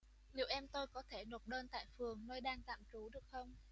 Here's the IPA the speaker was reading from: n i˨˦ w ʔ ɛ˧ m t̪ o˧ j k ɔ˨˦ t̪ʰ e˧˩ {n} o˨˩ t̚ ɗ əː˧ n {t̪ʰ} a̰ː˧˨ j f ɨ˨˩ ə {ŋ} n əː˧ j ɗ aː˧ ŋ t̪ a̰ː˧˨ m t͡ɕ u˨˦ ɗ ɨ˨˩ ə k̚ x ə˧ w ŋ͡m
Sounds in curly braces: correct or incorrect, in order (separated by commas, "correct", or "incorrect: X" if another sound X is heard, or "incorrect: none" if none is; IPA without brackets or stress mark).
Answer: correct, incorrect: t̪, correct